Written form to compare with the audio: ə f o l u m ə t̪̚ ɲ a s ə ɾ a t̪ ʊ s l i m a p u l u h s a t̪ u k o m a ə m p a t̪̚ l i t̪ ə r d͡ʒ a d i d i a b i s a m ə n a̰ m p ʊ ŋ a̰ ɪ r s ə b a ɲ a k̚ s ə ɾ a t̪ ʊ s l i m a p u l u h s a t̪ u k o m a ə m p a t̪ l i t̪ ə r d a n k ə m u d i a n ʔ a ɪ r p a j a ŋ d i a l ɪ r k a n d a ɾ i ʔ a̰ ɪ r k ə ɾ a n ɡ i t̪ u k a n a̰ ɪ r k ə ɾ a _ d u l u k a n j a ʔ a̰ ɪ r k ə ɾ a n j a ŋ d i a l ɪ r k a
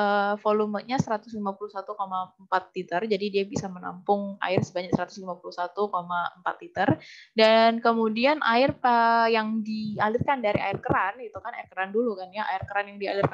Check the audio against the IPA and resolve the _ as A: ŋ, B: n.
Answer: B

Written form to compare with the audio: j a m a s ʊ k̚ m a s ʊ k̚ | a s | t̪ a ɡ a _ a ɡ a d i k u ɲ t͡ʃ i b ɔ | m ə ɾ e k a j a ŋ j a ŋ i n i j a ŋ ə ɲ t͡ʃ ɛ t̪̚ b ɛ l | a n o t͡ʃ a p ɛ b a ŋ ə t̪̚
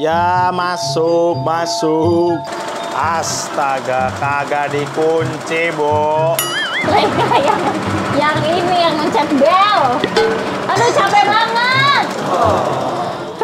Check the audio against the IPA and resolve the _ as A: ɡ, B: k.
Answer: B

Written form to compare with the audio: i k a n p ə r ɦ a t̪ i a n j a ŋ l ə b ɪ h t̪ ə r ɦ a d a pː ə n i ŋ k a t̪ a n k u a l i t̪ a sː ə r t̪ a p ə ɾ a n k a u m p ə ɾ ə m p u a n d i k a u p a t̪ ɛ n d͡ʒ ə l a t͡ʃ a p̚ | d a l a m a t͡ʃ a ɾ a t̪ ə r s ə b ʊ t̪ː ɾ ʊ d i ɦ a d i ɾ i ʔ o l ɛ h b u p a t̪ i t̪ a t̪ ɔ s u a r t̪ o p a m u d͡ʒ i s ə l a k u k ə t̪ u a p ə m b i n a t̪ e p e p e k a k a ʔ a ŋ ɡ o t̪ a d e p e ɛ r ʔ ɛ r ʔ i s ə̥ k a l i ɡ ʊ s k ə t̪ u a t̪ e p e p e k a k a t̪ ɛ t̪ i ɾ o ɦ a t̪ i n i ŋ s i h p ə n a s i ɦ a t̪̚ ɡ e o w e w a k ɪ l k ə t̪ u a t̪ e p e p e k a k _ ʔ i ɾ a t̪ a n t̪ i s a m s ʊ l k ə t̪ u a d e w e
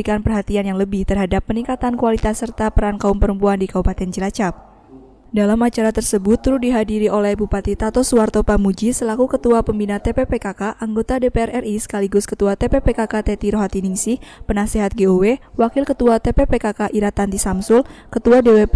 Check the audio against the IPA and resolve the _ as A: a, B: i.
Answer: A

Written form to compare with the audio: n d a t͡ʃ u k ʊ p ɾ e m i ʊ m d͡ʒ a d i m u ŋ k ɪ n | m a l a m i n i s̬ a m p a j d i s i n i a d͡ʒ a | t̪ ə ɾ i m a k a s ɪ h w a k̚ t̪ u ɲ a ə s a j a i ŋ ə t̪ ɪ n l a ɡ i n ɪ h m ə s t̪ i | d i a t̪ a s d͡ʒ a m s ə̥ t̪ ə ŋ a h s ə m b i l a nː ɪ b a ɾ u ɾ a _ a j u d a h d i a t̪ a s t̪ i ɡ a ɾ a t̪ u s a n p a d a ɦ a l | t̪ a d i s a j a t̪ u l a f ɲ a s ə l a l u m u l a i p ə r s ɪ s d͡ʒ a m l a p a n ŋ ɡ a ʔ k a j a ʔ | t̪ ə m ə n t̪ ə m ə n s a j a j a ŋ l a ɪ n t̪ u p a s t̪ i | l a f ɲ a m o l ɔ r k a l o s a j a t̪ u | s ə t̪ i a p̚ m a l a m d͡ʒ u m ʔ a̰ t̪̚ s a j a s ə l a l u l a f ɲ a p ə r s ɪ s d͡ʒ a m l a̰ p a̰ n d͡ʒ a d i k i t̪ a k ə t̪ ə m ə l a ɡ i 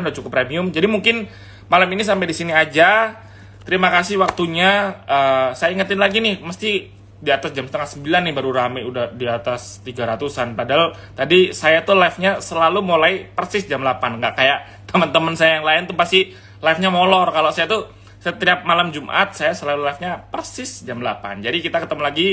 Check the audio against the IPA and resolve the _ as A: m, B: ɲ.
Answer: A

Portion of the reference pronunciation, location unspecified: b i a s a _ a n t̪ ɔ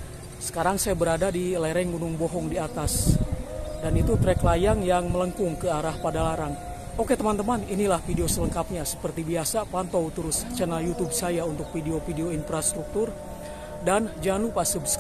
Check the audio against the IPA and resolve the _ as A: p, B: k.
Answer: A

